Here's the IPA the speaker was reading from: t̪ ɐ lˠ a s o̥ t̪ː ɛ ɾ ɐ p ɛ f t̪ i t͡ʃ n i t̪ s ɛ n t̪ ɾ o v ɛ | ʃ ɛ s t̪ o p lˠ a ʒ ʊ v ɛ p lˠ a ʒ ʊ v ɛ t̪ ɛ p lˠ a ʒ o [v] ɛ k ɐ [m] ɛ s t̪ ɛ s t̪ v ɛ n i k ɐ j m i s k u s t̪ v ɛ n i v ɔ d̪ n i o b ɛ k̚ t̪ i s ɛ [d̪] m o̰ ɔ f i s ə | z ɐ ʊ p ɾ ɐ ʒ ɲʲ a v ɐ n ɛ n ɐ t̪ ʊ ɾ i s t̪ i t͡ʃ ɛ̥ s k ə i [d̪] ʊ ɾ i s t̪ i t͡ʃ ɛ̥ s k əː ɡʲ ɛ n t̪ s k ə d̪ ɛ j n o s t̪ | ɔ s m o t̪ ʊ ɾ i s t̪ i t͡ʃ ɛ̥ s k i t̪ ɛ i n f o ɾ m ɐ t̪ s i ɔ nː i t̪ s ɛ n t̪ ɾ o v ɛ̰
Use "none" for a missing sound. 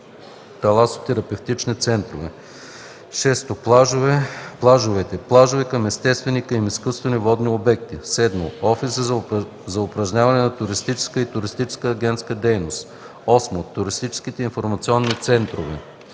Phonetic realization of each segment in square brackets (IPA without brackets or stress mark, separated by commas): v, m, d̪, t̪